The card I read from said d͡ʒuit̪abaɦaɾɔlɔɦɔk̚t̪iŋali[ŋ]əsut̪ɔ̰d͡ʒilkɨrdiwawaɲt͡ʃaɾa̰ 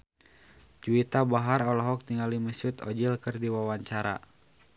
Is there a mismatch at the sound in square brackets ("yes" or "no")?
yes